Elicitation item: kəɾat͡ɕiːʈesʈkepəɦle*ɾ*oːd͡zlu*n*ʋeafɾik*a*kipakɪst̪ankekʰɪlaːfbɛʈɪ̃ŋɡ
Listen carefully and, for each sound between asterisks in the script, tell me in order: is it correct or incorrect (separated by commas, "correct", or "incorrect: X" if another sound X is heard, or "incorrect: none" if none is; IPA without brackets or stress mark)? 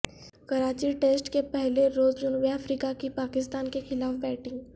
correct, correct, correct